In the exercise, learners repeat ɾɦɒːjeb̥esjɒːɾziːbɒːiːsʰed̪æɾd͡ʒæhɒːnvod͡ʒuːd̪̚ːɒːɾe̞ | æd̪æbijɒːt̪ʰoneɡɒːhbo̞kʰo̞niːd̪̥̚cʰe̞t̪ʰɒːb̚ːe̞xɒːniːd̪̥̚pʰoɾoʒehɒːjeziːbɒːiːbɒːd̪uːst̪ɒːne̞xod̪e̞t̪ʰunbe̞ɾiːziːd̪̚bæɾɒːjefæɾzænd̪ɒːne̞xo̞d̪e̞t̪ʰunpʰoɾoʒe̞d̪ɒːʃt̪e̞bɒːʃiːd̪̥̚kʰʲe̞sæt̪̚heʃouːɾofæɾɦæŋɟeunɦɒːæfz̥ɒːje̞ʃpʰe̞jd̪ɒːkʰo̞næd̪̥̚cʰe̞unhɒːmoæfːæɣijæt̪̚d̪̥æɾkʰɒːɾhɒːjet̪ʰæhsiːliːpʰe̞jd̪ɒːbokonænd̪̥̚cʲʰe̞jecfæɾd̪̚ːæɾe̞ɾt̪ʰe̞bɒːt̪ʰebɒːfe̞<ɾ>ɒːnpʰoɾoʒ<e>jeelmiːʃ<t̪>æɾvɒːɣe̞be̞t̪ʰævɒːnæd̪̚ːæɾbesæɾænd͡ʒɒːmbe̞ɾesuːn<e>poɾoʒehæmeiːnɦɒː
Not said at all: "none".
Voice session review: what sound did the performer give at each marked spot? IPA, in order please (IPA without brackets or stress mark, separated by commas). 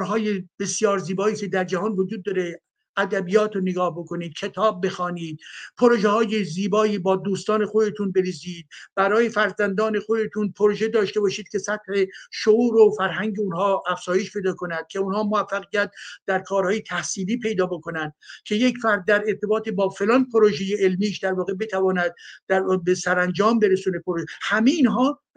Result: l, e, d̪, e